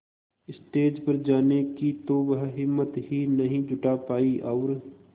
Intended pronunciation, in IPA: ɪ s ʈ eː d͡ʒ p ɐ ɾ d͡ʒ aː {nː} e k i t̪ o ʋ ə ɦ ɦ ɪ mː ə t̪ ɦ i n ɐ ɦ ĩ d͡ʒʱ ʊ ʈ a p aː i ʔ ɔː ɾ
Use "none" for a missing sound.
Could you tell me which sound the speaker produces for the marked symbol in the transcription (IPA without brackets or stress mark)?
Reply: n